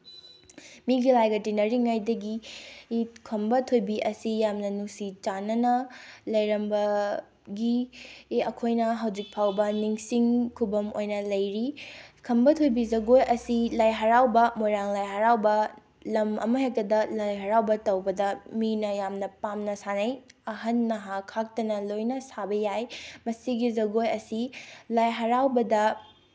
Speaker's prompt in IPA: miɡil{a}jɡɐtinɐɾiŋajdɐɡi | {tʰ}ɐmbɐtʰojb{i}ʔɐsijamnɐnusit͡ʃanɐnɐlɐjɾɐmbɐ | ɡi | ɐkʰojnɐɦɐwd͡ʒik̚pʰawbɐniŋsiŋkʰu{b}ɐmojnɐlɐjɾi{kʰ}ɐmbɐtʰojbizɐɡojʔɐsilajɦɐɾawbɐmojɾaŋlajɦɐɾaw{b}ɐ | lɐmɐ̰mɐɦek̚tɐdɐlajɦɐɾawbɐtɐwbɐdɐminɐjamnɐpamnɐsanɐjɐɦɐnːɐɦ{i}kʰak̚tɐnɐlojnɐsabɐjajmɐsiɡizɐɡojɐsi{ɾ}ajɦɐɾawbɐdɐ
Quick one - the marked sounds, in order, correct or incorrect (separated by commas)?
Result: correct, incorrect, correct, correct, correct, correct, incorrect, incorrect